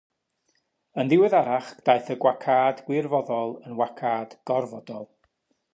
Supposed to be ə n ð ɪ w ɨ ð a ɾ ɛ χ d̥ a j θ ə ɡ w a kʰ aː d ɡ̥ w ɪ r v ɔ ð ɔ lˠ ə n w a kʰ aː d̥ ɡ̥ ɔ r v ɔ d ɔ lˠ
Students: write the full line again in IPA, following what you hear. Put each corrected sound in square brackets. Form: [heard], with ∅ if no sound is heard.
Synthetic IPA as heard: ə n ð ɪ w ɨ ð a ɾ [a] χ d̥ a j θ ə ɡ w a kʰ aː d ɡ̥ w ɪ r v ɔ ð ɔ lˠ ə n w a kʰ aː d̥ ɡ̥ ɔ r v ɔ d ɔ lˠ